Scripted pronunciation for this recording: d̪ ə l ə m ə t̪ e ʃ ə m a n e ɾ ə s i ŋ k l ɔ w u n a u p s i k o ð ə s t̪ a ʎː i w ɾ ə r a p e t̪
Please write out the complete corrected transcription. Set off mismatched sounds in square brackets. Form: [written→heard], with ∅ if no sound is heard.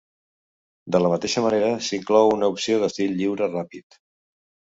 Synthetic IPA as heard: d̪ ə l ə m ə t̪ e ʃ ə m [a→ə] n e ɾ ə s i ŋ k l ɔ w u n [a→ə] u p s i [k→∅] o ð ə s t̪ [a→i] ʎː i w ɾ ə r a p [e→i] t̪